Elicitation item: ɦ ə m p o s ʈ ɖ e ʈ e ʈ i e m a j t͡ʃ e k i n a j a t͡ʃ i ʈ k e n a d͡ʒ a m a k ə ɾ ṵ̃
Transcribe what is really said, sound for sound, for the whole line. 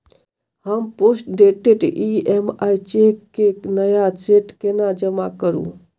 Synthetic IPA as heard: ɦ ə m p o s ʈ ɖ e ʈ e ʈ i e m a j t͡ʃ e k e n ə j a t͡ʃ e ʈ k e n a d͡ʒ ə m a k ə ɾ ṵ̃